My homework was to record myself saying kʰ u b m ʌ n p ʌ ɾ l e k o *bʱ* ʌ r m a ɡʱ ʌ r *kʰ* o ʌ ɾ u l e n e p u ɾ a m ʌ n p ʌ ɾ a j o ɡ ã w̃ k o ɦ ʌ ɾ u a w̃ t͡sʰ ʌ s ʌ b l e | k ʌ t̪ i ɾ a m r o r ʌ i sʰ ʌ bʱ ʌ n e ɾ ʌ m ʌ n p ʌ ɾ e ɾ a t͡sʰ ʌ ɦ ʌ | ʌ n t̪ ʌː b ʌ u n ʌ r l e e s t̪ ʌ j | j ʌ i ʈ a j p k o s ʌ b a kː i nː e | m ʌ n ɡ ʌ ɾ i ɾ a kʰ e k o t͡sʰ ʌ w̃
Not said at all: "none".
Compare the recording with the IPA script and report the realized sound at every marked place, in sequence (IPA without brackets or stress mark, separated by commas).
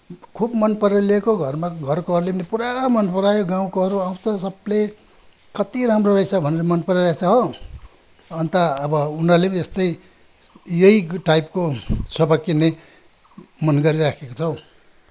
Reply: ɡʱ, k